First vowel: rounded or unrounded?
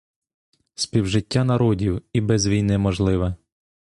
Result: unrounded